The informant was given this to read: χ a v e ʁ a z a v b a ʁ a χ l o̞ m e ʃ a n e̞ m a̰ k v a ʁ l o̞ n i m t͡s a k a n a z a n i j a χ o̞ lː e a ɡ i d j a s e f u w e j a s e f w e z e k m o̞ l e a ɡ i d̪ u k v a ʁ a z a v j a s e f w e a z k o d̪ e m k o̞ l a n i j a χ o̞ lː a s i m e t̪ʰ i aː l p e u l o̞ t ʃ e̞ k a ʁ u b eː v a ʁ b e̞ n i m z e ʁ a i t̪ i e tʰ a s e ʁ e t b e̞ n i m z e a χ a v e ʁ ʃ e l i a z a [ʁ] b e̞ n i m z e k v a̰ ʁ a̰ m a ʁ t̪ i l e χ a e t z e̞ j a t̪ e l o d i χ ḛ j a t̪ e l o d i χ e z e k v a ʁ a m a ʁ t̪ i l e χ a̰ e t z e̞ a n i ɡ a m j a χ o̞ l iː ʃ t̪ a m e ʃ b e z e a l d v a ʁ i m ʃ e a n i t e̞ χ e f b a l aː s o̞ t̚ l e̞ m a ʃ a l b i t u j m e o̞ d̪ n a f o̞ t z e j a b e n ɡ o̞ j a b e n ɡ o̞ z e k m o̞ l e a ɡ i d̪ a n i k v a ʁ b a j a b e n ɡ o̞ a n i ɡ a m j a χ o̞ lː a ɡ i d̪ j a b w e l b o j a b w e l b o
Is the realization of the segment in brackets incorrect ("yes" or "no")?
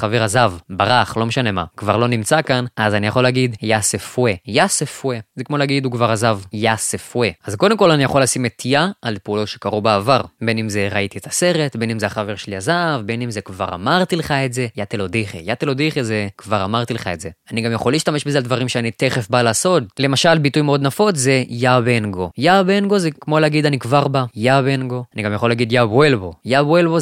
yes